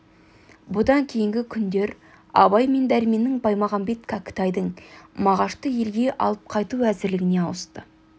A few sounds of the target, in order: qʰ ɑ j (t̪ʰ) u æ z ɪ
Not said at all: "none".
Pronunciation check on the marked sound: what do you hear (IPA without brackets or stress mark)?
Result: t̪